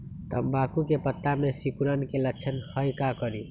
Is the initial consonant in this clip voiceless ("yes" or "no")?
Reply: yes